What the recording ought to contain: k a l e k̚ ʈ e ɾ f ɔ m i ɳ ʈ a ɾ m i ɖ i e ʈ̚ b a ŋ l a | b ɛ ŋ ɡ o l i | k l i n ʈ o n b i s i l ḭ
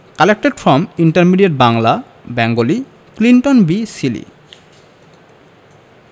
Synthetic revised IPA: k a l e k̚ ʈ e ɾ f ɔ m i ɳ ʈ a ɾ m i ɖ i e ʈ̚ b a ŋ l a | b ɛ ŋ ɡ o l i | k l i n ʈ o n b i s i l ḭ